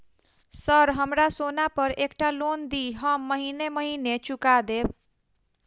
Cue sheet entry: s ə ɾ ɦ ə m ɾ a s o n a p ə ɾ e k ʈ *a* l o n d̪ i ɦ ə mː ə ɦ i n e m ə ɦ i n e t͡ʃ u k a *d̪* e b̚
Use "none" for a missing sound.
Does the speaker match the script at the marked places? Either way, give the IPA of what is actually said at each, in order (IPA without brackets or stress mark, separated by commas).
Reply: a, d̪